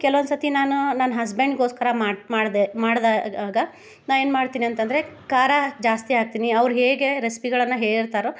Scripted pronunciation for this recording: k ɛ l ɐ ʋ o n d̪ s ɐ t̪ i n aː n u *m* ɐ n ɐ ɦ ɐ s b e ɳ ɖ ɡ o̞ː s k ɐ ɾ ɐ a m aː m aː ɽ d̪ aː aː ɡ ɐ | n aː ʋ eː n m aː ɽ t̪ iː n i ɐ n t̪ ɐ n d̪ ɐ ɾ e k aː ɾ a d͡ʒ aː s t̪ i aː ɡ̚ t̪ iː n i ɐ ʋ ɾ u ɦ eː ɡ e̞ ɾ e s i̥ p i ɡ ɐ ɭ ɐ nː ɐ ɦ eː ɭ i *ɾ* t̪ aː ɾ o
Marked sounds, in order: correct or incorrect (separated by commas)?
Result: incorrect, correct